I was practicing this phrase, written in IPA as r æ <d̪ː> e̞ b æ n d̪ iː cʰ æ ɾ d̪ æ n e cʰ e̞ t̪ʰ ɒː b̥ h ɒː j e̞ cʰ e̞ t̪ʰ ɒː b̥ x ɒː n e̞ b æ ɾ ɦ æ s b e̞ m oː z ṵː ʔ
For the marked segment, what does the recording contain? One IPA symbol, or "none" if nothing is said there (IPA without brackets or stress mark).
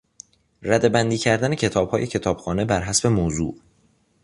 d̪